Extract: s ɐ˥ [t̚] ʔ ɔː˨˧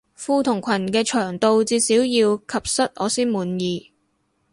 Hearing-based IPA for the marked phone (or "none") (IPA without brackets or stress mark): t̚